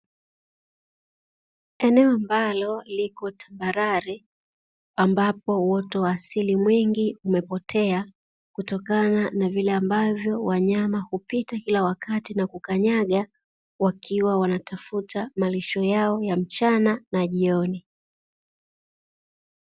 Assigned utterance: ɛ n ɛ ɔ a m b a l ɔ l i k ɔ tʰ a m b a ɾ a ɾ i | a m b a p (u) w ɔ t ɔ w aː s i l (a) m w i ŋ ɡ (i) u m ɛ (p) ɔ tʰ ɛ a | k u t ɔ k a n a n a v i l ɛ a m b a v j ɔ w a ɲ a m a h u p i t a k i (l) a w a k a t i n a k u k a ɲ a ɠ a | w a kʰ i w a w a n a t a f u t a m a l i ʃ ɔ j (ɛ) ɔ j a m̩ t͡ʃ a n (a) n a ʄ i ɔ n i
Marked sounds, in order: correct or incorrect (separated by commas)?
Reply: incorrect, incorrect, correct, correct, correct, incorrect, correct